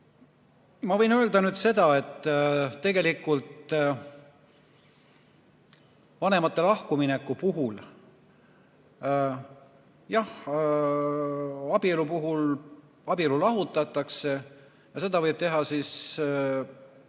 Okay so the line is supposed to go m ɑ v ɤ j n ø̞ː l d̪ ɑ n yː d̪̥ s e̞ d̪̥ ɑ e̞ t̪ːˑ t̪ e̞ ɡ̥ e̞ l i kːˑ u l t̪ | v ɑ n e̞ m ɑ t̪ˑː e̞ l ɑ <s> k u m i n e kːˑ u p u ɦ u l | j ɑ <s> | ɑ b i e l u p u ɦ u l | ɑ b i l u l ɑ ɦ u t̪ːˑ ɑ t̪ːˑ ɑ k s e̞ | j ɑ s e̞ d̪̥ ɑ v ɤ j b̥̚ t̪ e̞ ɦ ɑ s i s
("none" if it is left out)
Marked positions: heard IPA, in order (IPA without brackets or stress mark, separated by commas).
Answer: h, h